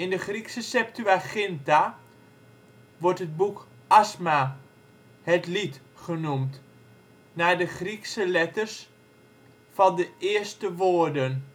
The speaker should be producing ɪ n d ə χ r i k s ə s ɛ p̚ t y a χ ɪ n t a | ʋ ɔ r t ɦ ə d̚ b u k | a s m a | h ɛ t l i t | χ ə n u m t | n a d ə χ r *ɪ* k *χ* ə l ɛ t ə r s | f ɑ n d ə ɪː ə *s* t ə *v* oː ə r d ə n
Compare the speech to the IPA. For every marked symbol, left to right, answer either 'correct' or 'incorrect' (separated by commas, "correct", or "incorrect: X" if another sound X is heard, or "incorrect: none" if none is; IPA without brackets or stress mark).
incorrect: i, incorrect: s, correct, incorrect: ʋ